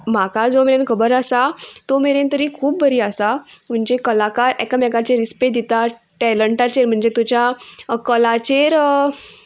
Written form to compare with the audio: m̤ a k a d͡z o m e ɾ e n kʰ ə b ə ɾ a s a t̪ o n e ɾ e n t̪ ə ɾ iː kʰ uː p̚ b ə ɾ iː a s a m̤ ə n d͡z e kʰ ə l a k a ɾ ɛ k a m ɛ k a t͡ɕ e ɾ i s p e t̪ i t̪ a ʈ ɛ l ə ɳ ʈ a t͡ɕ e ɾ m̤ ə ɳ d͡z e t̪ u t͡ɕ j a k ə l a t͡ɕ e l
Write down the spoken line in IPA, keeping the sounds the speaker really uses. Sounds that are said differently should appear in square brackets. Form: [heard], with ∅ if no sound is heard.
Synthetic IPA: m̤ a k a d͡z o m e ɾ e n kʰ ə b ə ɾ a s a t̪ o [m] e ɾ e n t̪ ə ɾ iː kʰ uː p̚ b ə ɾ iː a s a m̤ ə [ɳ] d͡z e [k] ə l a k a ɾ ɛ k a m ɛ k a t͡ɕ e ɾ i s p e [d̪] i t̪ a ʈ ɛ l ə ɳ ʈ a t͡ɕ e ɾ m̤ ə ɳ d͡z e t̪ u t͡ɕ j a k ə l a t͡ɕ e [ɾ]